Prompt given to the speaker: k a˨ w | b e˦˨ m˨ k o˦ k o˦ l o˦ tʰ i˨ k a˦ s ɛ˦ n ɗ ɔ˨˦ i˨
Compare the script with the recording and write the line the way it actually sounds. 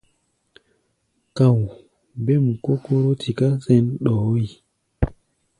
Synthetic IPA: k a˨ w | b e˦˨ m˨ k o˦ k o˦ ɾ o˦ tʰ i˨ k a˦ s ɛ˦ n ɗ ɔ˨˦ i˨